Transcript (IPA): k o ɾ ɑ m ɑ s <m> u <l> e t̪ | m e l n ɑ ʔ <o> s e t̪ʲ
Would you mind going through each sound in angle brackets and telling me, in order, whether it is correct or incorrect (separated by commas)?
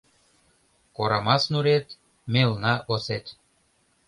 incorrect, incorrect, correct